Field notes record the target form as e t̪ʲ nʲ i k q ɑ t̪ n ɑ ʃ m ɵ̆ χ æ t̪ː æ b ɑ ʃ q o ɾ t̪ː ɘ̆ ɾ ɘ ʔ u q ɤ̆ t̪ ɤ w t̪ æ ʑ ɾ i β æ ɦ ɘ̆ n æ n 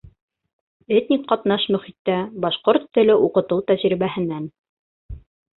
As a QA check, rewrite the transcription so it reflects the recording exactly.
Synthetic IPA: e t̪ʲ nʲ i k q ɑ t̪ n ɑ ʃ m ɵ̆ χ i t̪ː æ b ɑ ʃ q o ɾ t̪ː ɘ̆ l ɘ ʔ u q ɤ̆ t̪ ɤ w t̪ æ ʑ ɾ i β æ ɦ ɘ̆ n æ n